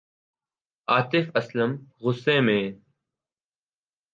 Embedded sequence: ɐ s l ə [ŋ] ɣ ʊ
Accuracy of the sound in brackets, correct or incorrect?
incorrect